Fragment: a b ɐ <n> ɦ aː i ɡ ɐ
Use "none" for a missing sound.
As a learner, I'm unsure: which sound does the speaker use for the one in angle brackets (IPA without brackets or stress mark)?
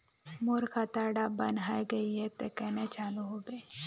n